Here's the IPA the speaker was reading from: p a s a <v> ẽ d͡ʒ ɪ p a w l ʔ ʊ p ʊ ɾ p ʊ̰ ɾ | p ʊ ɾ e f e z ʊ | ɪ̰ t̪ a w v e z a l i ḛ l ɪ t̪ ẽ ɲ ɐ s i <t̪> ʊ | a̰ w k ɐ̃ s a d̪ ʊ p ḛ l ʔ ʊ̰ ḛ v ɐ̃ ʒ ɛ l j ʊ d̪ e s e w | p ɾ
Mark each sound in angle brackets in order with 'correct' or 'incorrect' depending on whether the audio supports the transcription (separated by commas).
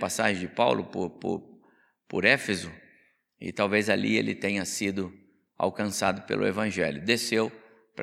incorrect, incorrect